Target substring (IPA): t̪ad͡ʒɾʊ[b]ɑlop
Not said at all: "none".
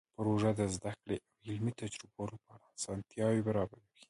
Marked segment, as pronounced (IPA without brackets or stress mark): b